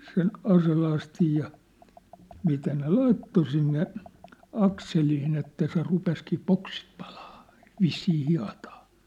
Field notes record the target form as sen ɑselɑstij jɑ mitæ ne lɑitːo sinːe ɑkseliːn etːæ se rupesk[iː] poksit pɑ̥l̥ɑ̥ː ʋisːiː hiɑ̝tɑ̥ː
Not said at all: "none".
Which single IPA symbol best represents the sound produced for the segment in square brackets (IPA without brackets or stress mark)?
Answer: iː